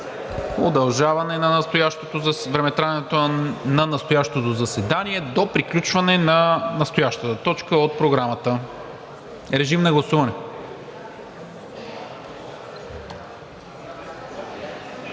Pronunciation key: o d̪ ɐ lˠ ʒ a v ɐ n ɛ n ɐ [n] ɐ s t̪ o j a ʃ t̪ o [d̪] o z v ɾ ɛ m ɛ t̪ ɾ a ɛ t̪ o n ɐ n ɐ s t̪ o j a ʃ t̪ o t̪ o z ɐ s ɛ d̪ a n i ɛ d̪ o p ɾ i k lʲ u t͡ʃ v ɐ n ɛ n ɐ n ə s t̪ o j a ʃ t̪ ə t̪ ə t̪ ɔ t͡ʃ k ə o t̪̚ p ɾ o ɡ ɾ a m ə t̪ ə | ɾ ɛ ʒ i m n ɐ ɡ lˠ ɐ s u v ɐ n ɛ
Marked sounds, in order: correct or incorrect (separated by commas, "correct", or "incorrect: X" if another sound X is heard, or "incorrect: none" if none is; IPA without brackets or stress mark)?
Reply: correct, incorrect: t̪